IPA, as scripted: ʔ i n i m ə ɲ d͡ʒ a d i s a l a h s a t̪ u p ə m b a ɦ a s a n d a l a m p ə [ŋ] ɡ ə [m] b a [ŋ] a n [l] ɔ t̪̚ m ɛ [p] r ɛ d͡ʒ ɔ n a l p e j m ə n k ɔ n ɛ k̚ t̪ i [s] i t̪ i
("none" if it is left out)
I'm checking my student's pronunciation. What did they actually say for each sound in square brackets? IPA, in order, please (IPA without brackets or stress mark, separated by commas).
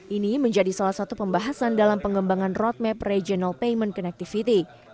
ŋ, m, ŋ, r, p, f